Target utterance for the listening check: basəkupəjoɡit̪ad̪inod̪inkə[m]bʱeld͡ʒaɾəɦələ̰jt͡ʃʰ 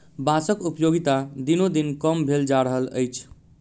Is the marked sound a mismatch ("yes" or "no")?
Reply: no